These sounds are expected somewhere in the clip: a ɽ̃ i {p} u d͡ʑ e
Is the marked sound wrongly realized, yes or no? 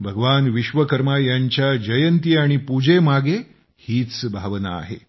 no